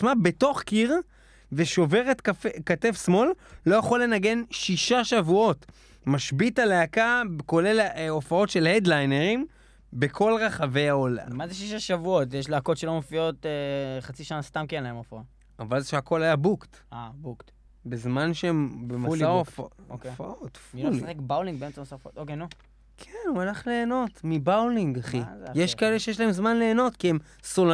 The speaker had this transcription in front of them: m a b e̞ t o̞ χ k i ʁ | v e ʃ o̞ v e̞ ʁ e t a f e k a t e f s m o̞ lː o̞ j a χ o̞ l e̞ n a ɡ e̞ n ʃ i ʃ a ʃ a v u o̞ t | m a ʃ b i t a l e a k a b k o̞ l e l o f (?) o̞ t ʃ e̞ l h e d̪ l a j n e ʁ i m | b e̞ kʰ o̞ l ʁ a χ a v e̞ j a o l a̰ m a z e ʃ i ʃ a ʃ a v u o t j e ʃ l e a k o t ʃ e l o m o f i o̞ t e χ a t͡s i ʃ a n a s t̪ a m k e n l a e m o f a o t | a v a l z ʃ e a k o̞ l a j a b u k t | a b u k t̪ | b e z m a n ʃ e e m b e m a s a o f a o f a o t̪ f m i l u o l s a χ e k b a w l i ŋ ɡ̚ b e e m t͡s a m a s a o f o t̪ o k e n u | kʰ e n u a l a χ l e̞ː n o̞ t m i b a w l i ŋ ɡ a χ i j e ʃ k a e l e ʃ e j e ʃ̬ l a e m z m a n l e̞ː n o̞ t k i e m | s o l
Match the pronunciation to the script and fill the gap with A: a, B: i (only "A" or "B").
A